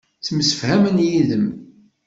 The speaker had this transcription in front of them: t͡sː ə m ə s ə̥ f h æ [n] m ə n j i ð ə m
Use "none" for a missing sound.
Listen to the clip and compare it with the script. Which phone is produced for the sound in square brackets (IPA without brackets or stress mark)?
none